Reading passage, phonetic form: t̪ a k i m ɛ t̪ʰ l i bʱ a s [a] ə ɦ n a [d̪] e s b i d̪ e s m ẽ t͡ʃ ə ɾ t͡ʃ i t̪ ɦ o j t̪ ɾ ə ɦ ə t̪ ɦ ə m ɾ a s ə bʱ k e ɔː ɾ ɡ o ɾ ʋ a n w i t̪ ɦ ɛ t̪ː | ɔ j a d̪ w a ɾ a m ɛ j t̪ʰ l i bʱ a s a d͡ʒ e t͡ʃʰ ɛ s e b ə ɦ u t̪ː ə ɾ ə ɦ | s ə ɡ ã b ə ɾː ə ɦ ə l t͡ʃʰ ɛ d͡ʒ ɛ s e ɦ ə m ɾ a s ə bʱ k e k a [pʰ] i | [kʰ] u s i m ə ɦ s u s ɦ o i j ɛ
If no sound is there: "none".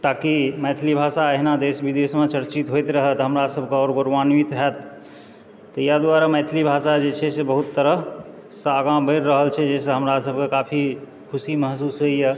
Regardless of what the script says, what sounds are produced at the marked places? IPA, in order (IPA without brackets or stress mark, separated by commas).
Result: a, d̪, pʰ, kʰ